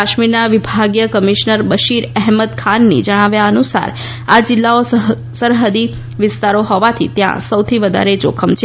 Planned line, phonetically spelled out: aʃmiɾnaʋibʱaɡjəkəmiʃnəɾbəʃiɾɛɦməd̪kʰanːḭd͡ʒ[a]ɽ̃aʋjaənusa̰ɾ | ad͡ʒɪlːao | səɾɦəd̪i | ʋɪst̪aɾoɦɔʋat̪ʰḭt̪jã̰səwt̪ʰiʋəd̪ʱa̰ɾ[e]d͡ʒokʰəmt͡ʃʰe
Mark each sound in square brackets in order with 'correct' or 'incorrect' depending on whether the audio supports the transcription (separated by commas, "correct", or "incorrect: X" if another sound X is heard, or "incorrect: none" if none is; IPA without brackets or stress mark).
incorrect: ə, correct